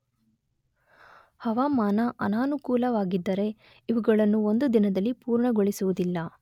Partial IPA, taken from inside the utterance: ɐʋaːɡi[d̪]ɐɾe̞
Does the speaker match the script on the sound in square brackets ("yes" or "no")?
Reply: no